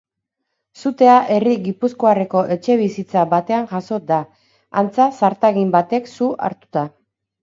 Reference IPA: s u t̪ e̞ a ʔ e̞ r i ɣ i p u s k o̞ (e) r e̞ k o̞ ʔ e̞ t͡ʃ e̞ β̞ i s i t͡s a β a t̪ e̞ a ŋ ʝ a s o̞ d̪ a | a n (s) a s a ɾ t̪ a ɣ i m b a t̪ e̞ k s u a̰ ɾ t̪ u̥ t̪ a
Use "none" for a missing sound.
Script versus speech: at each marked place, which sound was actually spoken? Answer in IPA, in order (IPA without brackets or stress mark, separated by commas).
a, t͡s